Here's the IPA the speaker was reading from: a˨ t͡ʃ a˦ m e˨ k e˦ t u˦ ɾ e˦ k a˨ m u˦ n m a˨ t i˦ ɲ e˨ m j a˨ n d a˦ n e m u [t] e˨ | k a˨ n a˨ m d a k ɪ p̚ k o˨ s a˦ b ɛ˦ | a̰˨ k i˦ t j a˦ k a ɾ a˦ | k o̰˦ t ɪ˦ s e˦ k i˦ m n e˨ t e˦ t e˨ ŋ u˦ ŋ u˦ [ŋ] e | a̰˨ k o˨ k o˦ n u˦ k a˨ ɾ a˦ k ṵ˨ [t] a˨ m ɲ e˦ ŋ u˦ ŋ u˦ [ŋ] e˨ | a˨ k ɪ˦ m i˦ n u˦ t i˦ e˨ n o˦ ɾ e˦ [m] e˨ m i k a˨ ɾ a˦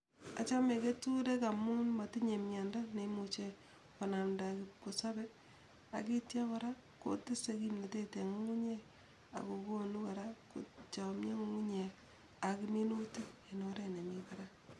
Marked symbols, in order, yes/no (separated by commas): no, no, no, no, no